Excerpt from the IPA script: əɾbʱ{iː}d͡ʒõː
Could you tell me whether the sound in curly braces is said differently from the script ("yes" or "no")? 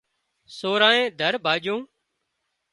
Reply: yes